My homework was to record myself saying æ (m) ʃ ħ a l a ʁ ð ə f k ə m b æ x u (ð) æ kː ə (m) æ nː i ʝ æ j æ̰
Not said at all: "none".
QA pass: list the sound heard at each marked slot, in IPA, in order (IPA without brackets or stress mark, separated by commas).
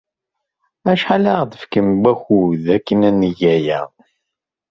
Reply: none, ð, n